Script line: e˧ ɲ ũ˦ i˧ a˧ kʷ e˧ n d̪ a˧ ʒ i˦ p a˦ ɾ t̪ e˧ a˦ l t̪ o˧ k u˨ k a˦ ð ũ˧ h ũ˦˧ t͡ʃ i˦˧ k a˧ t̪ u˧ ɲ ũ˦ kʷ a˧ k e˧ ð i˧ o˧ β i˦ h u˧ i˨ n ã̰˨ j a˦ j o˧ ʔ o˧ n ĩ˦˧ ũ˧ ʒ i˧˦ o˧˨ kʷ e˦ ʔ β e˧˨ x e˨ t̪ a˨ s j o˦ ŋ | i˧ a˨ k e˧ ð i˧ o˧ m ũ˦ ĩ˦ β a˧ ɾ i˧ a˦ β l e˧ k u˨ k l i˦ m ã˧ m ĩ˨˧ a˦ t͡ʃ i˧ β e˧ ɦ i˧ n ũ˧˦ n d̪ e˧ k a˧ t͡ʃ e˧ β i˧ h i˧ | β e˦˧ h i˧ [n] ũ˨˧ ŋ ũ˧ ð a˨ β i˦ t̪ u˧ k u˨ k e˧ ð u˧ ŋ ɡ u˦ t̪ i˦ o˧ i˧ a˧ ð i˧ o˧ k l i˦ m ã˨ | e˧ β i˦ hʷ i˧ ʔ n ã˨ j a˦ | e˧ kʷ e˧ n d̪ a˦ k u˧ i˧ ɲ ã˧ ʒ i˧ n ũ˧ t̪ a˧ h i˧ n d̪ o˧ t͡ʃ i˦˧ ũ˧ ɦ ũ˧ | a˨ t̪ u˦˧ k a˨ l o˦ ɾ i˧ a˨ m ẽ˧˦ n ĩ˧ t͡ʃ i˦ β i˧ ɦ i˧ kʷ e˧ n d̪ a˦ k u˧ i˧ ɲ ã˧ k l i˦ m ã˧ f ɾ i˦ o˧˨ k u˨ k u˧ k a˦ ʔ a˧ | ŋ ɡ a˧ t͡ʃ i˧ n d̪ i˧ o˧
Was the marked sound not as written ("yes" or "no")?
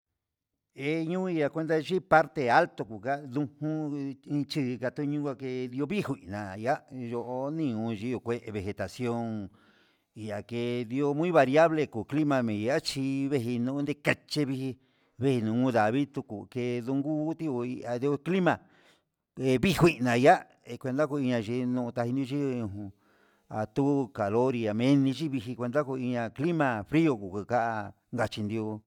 no